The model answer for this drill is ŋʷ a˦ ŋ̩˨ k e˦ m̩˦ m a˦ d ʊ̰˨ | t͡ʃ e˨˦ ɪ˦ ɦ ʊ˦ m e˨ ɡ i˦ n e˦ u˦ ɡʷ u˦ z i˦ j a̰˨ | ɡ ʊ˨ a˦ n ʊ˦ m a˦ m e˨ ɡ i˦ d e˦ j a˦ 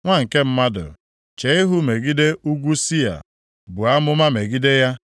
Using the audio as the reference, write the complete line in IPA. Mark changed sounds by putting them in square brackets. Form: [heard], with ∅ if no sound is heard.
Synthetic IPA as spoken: ŋʷ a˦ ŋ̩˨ k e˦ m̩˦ m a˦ d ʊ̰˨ | t͡ʃ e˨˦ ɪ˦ ɦ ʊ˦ m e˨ ɡ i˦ [d] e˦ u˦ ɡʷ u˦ [s] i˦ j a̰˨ | [b] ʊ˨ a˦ [m] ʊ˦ m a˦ m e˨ ɡ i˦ d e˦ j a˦